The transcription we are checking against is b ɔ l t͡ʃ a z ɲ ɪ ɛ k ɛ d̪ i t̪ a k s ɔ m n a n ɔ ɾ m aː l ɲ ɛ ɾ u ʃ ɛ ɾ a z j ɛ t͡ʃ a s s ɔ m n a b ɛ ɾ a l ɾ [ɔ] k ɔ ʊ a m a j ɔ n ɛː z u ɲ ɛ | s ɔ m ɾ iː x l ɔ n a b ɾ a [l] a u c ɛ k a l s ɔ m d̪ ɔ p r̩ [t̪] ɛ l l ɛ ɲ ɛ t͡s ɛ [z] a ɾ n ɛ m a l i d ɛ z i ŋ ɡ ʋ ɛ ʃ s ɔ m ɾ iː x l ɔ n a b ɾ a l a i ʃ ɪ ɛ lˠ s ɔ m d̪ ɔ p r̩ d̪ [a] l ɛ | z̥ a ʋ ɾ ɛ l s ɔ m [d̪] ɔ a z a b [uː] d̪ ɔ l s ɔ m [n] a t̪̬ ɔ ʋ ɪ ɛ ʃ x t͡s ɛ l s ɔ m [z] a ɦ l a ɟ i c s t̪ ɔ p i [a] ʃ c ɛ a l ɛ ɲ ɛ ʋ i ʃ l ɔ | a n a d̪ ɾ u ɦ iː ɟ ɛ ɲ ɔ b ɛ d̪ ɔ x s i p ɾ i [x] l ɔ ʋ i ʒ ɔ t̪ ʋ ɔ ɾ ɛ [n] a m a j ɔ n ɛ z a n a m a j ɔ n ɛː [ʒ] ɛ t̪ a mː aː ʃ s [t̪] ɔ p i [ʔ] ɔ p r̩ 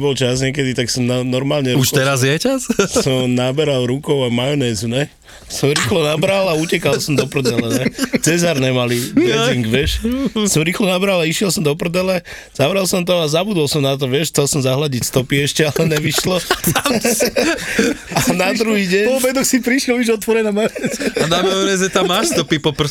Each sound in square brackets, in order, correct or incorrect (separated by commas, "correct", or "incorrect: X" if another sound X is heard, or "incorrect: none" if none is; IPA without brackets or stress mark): incorrect: u, correct, incorrect: d̪, correct, incorrect: ɛ, incorrect: t̪, incorrect: u, correct, correct, incorrect: ɛ, incorrect: ʃ, correct, incorrect: z, correct, incorrect: p